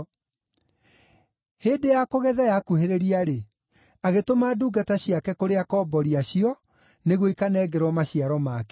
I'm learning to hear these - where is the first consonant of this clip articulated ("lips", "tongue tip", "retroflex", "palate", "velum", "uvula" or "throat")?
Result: throat